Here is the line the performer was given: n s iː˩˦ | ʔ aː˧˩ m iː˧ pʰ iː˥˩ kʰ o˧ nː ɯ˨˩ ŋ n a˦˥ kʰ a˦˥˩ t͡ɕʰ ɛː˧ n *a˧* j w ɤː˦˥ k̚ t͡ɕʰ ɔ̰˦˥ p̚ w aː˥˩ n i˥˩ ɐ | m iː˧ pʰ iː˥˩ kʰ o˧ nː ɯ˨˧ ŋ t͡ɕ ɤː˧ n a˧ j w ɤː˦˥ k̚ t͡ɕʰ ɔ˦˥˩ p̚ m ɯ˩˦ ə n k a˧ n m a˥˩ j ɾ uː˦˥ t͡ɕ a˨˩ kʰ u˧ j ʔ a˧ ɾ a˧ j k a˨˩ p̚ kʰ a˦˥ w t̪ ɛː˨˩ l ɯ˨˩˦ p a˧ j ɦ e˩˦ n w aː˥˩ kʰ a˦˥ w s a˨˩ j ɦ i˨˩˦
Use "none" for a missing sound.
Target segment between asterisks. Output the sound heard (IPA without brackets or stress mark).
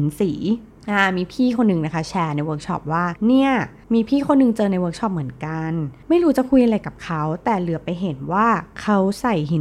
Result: a˧